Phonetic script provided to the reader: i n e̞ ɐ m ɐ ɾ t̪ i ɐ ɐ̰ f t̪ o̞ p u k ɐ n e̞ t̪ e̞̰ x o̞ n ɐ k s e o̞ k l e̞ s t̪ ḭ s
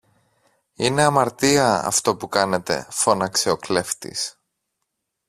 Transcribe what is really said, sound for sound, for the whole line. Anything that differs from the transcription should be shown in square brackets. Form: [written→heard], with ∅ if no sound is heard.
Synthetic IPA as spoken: i n e̞ ɐ m ɐ ɾ t̪ i ɐ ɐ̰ f t̪ o̞ p u k ɐ n e̞ t̪ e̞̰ [x→f] o̞ n ɐ k s e o̞ k l e̞ [s→f] t̪ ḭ s